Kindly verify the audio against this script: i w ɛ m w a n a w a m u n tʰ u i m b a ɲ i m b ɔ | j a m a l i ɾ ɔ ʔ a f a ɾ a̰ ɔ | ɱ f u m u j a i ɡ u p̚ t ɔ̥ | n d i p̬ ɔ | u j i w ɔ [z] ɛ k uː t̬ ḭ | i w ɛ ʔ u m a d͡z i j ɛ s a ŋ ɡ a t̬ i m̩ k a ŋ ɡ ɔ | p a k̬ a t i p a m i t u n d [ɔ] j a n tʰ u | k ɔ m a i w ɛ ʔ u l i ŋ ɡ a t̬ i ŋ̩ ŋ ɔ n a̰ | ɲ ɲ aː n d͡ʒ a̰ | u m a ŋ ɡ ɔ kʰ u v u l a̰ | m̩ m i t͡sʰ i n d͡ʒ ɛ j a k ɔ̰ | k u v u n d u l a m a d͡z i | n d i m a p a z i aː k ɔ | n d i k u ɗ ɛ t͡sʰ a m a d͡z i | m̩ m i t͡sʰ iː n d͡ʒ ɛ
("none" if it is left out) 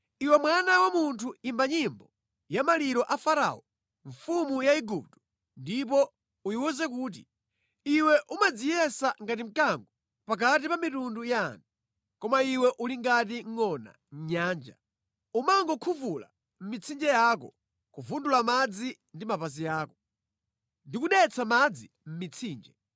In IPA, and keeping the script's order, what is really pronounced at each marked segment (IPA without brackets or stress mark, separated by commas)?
z, u